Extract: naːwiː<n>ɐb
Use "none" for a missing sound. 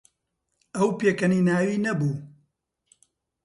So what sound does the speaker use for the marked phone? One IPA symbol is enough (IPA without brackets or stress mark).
n